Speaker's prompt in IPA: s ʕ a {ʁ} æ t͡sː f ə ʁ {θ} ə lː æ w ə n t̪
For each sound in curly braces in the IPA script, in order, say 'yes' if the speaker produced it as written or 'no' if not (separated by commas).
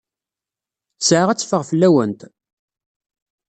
yes, no